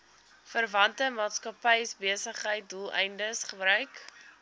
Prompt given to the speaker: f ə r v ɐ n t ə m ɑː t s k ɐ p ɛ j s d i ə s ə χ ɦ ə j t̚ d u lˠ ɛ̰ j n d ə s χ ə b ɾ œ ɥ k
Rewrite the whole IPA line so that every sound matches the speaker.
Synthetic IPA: f ə r v ɐ n t ə m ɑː t s k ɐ p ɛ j s b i ə s ə χ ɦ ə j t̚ d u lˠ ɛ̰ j n d ə s χ ə b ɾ œ ɥ k